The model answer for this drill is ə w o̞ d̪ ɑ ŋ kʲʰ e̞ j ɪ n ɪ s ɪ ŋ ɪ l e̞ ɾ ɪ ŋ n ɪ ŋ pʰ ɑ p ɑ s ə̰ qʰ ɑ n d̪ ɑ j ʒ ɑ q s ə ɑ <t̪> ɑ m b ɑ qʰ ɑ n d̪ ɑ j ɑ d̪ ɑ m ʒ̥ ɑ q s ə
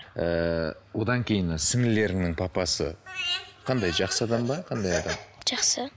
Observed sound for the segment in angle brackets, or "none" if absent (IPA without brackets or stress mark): d̪